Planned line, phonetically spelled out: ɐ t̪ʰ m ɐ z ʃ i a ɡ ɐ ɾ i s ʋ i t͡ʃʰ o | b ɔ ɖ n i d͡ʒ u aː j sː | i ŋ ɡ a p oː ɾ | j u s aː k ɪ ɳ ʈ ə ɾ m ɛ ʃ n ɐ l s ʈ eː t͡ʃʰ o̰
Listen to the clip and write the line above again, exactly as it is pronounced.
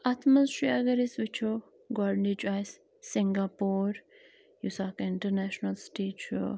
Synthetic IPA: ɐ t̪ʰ m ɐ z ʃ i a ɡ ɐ ɾ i s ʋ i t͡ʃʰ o | ɡ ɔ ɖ n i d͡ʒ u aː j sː | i ŋ ɡ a p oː ɾ | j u s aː k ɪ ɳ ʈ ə ɾ n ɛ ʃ n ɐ l s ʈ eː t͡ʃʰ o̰